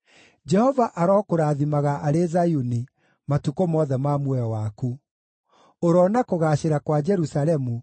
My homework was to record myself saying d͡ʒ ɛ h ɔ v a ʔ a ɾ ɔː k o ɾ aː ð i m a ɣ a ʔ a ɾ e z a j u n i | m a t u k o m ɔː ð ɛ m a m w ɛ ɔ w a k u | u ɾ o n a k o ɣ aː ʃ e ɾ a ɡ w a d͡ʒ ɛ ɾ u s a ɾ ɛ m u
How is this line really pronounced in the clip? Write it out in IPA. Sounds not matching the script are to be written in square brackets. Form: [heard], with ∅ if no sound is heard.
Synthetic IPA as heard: d͡ʒ ɛ h ɔ v a ʔ a ɾ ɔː k o ɾ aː ð i m a ɣ a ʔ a ɾ e z a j u n i | m a t u k o m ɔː ð ɛ m a m w ɛ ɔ w a k u | [o] ɾ [ɔ] n a k o ɣ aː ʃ e ɾ a [k] w a d͡ʒ ɛ ɾ u s a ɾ ɛ m u